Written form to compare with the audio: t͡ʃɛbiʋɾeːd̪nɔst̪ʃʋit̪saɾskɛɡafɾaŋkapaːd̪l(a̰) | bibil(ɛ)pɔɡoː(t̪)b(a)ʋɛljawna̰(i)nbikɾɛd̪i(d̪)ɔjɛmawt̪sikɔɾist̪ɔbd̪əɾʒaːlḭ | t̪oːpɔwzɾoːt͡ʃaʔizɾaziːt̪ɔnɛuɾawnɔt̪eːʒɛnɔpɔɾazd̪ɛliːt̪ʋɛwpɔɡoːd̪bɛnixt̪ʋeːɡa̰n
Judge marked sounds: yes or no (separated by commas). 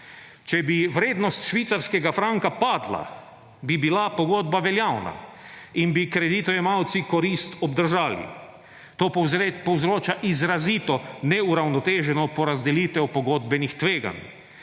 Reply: yes, no, no, yes, yes, no